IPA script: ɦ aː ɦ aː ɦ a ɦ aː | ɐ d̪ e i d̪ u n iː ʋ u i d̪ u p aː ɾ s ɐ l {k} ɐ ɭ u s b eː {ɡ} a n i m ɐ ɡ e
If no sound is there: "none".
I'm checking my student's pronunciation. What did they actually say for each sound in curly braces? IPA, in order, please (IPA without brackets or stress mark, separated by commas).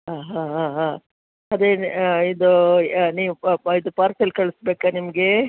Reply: k, k